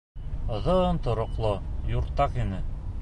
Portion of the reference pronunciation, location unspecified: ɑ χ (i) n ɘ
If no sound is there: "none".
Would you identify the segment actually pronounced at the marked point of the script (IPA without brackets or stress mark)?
i